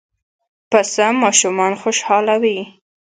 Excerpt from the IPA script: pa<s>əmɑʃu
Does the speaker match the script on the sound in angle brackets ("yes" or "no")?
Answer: yes